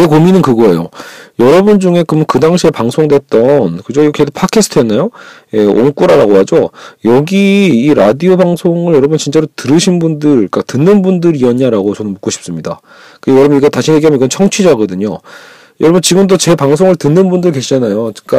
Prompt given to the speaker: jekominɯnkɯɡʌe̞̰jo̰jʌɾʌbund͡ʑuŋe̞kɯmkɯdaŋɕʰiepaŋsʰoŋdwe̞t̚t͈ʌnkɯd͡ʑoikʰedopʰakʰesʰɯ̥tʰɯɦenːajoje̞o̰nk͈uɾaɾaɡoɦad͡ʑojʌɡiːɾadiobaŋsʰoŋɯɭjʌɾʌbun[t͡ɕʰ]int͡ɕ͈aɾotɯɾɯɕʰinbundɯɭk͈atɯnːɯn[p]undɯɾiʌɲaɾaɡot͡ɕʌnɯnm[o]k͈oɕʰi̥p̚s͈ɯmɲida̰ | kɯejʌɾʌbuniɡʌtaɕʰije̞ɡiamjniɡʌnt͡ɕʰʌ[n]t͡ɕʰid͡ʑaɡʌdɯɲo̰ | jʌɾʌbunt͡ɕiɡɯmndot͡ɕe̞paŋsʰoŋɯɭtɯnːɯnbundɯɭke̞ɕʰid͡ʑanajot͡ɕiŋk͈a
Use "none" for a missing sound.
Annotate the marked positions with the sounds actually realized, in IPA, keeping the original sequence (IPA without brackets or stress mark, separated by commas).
t͡ɕ, b, u, ŋ